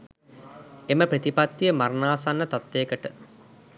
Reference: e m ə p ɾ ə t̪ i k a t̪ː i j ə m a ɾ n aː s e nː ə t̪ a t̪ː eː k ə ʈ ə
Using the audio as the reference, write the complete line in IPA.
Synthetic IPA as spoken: e m ə p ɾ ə t̪ i p a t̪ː i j ə m a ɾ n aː s a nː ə t̪ a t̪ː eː k ə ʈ ə